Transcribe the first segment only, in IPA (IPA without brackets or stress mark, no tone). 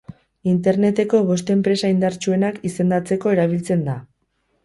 i